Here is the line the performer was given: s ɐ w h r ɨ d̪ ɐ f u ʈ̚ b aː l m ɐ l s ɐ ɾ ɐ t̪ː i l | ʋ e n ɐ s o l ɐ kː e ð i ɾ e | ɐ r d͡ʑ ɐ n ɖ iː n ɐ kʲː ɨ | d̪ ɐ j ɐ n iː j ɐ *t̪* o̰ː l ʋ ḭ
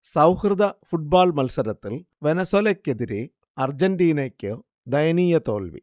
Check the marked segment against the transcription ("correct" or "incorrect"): correct